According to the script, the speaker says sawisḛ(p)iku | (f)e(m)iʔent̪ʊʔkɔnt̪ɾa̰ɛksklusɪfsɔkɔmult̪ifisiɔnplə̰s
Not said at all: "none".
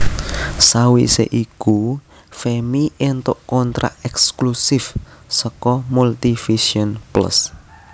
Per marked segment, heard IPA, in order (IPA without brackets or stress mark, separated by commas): ʔ, f, m